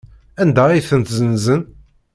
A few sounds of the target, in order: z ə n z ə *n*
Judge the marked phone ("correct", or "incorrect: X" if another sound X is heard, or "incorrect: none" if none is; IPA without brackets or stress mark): correct